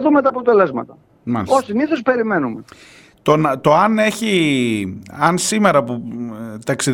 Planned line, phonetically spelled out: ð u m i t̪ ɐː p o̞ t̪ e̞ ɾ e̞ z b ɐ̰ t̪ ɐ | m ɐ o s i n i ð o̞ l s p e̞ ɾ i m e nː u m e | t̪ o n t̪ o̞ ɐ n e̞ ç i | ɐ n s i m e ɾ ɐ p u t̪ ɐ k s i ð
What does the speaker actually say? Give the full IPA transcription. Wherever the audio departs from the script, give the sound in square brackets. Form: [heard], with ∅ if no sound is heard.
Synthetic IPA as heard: ð u m [e] t̪ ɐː p o̞ t̪ e̞ [l] e̞ z [m] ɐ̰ t̪ ɐ | m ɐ o s i n i [θ] o̞ [∅] s p e̞ ɾ i m e [n] u m e | t̪ o n t̪ o̞ ɐ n e̞ ç i | ɐ n s i m e ɾ ɐ p u t̪ ɐ k s i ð